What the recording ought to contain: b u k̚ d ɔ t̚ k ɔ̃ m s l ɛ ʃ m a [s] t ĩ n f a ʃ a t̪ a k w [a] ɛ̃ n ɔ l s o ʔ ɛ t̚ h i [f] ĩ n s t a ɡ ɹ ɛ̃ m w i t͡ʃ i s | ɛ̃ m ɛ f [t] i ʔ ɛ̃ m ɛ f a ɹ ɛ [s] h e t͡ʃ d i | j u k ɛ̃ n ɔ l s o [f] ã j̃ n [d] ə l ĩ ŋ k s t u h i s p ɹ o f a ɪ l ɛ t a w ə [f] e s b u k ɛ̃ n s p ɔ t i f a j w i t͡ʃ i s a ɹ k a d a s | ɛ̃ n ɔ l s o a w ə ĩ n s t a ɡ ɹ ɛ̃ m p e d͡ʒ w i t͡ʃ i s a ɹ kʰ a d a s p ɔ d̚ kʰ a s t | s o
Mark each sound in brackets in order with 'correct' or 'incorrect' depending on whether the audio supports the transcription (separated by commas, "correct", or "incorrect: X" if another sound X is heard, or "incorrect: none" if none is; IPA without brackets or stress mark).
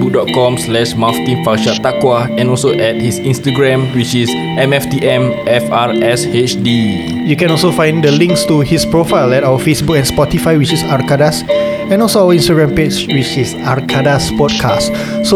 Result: incorrect: f, correct, incorrect: s, correct, correct, correct, correct, correct